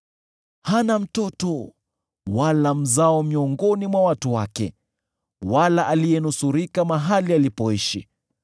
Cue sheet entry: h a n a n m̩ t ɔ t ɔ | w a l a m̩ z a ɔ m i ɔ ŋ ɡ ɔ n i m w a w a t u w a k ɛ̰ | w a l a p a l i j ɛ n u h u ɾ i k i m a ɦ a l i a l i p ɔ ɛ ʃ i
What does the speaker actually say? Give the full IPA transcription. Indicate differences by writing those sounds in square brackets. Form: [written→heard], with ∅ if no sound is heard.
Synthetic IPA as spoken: h a n a [n→∅] m̩ t ɔ t ɔ | w a l a m̩ z a ɔ m i ɔ ŋ ɡ ɔ n i m w a w a t u w a k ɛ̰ | w a l a [p→ʔ] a l i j ɛ n u [h→s] u ɾ i k [i→a] m a ɦ a l i a l i p ɔ [ɛ→i] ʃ i